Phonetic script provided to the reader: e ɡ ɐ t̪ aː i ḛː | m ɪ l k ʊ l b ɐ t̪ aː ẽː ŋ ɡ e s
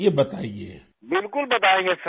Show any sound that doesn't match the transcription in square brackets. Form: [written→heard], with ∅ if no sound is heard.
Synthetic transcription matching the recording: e [ɡ→b] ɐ t̪ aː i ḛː | [m→b] ɪ l k ʊ l b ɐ t̪ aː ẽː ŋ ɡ e s